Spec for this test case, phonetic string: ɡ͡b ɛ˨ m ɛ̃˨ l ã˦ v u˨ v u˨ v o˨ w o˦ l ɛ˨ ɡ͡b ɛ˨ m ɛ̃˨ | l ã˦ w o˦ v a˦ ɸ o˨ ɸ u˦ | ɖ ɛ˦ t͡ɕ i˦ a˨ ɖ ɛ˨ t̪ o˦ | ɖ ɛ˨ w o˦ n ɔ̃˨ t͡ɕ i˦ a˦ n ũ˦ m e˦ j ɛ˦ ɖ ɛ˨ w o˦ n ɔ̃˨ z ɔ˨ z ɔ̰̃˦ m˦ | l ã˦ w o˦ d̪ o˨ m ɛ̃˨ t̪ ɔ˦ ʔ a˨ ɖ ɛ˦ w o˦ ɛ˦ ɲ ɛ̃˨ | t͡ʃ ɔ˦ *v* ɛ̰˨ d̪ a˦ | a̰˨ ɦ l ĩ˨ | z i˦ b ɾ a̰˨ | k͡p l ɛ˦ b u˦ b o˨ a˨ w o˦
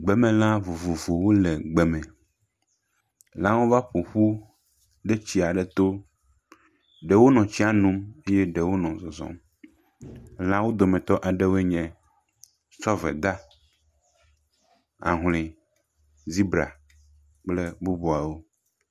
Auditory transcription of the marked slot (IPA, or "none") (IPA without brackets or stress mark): v